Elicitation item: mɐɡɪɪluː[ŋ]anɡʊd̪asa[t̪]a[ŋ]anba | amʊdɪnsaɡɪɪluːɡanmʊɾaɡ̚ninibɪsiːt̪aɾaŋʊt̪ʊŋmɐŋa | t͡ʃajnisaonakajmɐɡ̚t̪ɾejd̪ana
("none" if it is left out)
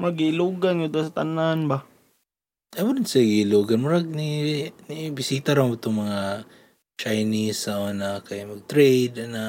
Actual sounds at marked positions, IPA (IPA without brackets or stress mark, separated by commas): ɡ, t̪, n